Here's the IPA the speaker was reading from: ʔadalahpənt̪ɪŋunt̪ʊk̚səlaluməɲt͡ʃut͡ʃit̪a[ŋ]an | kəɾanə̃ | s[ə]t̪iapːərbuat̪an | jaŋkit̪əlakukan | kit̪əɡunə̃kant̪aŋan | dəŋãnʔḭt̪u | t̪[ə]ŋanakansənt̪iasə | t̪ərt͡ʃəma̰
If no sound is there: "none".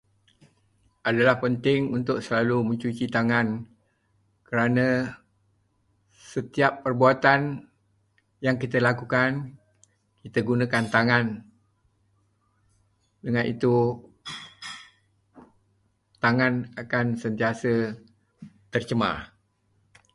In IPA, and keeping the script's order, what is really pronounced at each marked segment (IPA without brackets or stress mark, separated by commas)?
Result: ŋ, ə, a